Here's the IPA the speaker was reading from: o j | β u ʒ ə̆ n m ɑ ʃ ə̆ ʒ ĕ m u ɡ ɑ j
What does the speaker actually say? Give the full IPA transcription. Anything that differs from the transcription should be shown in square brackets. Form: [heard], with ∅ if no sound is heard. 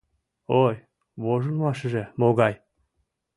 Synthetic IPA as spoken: o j | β [o] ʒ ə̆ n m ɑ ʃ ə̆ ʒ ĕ m [o] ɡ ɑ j